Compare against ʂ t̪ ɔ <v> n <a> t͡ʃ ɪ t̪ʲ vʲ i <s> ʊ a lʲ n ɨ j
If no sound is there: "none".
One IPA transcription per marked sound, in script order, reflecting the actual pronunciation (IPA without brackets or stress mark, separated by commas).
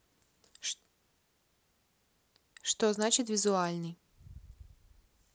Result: z, a, z